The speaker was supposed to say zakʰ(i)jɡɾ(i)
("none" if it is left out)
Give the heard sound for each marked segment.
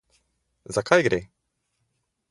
a, e

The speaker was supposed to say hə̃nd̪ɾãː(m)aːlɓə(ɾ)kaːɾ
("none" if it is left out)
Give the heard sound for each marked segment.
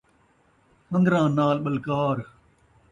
n, l

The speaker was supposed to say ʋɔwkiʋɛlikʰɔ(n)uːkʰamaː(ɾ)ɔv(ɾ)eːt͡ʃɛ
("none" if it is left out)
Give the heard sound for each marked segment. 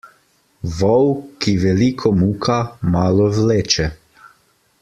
m, l, l

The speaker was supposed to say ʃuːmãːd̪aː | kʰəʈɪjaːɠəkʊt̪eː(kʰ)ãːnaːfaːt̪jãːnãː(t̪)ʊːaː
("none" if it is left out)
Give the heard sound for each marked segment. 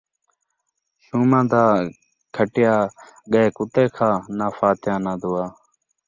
kʰ, d̪

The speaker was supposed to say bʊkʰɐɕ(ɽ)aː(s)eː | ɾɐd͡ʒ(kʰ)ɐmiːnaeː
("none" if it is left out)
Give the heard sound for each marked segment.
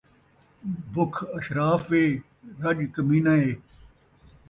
ɾ, f, k

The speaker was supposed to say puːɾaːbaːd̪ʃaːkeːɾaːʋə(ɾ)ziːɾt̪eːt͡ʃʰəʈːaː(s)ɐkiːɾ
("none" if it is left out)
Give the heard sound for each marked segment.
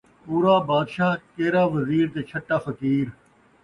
none, f

